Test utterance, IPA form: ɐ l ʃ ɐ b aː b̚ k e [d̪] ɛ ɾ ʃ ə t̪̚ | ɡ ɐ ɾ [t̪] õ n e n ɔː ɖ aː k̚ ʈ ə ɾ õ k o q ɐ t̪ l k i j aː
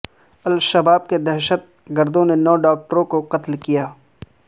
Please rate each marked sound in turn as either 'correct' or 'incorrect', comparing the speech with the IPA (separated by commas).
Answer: correct, incorrect